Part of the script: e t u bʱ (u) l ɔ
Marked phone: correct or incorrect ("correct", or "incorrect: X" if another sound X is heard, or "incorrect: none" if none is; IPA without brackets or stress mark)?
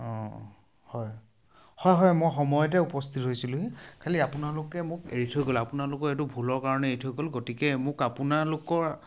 correct